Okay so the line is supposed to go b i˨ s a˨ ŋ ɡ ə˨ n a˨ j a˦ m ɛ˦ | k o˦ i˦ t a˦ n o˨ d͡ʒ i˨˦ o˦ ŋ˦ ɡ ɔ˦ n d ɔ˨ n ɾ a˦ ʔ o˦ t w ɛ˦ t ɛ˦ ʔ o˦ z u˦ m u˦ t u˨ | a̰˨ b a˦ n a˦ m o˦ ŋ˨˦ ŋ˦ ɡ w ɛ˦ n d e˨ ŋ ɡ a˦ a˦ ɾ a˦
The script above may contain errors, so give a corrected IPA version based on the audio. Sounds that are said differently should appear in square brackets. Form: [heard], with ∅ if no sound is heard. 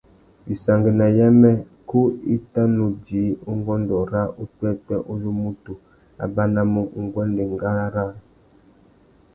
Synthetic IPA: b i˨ s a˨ ŋ ɡ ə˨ n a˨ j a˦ m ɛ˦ | k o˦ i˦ t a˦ n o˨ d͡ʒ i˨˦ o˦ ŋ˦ ɡ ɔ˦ n d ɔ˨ [∅] ɾ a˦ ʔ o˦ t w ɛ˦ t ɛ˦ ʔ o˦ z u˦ m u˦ t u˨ | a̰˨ b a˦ n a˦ m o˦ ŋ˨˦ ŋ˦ ɡ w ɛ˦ n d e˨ ŋ ɡ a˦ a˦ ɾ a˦